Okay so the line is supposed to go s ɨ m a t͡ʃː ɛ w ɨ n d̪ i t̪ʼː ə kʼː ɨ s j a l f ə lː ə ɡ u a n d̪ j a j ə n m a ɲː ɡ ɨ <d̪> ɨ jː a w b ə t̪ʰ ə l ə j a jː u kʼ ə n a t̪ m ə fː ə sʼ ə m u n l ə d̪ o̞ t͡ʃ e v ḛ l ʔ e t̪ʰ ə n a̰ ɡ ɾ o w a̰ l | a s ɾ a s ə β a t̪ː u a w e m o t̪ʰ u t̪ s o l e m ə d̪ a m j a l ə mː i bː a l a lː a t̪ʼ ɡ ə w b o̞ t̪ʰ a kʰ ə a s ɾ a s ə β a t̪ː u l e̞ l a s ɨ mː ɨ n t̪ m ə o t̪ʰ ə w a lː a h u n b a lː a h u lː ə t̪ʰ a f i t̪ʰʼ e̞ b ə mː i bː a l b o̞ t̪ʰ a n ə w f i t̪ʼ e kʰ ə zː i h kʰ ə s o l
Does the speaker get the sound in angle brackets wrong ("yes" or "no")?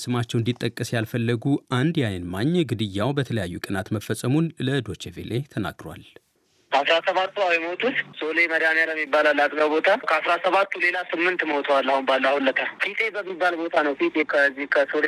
no